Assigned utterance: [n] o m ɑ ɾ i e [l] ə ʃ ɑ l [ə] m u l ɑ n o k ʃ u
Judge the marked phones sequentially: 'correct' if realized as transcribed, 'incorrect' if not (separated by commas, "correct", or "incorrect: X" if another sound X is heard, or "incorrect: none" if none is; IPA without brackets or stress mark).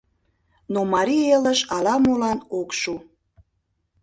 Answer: correct, correct, incorrect: ɑ